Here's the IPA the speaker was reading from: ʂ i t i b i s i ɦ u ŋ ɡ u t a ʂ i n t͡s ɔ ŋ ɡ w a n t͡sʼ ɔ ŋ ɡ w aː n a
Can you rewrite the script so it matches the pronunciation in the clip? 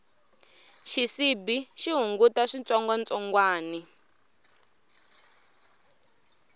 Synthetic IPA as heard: ʃ i s i b i ʃ i ɦ u ŋ ɡ u t a ʂ i n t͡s ɔ ŋ ɡ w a n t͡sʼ ɔ ŋ ɡ w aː n i